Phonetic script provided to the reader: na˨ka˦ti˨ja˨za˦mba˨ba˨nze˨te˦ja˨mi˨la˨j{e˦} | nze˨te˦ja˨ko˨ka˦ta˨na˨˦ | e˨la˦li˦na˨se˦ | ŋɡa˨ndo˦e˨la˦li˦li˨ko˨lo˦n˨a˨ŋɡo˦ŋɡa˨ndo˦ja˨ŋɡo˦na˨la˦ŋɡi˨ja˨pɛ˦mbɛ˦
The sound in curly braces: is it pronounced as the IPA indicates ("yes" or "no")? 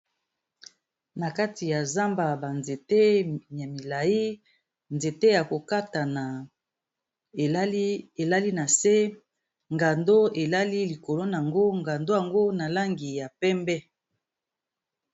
no